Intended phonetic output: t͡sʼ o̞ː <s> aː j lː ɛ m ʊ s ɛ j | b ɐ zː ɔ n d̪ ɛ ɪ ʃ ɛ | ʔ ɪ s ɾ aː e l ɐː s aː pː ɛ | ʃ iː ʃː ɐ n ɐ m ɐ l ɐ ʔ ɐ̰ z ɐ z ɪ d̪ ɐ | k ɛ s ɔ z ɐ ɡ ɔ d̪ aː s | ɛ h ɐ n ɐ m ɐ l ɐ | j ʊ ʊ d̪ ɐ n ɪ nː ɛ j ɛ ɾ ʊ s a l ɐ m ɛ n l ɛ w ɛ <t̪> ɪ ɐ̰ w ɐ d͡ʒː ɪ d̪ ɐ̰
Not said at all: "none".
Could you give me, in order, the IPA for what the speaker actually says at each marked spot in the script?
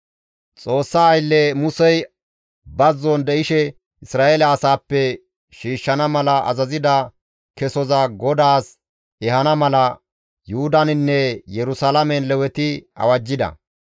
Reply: sː, t̪

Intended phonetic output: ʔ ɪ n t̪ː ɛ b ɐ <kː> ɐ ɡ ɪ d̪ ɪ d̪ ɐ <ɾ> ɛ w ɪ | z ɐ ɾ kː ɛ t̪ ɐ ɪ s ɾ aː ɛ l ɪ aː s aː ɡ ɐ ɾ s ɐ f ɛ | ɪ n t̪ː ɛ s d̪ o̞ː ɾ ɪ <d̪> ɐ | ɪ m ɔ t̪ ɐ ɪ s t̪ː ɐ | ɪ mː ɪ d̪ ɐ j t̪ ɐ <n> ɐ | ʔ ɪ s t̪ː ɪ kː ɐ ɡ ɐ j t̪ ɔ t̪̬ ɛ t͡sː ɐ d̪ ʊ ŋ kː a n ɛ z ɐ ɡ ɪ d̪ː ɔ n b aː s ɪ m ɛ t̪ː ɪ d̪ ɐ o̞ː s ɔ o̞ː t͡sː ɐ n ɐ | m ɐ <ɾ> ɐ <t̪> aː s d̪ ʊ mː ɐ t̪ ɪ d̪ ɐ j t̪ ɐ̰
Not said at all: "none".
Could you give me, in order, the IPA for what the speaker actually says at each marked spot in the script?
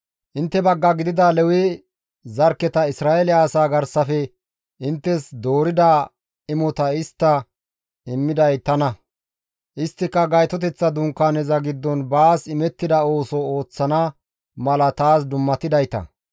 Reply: ɡː, l, d̪, n, l, t̪

